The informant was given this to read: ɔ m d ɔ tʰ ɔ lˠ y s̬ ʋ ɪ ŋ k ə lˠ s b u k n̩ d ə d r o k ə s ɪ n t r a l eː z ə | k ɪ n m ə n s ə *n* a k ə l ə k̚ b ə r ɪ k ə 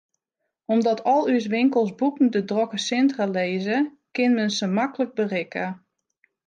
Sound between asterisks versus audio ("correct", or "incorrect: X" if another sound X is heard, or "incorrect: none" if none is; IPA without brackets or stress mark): incorrect: m